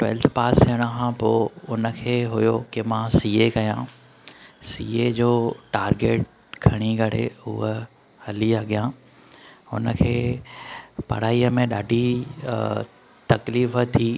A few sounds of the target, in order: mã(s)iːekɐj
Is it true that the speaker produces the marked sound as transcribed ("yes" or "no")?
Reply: yes